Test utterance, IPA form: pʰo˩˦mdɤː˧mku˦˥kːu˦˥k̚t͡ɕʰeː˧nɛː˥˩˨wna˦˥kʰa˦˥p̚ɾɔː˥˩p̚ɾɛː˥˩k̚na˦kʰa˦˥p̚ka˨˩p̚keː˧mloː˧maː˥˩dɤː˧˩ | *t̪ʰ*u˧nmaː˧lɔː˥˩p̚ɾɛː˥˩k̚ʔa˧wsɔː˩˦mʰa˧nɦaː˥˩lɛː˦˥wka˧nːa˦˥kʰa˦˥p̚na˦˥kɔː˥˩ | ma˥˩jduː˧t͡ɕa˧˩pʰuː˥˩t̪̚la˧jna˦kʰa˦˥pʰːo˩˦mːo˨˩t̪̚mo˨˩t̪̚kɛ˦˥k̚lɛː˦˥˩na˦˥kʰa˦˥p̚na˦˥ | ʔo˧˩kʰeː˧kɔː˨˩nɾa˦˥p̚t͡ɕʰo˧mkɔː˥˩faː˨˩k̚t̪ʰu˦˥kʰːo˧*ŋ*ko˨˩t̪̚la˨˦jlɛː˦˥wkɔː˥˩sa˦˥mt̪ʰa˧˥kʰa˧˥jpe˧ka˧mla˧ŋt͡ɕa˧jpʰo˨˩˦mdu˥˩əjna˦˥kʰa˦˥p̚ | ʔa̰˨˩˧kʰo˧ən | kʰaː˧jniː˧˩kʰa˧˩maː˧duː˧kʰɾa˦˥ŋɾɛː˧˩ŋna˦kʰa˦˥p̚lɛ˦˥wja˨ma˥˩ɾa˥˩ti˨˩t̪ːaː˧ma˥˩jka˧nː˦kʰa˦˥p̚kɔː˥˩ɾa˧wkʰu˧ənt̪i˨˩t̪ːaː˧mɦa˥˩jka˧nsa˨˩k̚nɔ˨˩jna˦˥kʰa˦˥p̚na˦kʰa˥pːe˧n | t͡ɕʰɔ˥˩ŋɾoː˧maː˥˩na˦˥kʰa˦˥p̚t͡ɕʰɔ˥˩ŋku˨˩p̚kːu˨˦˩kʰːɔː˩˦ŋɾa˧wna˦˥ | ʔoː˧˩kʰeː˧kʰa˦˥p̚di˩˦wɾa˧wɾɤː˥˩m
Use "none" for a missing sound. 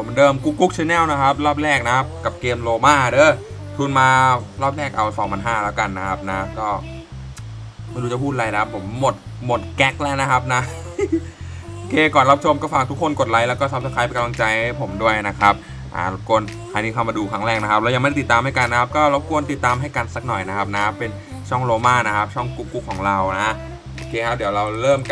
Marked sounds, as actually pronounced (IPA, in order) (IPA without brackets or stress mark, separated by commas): t̪ʰ, n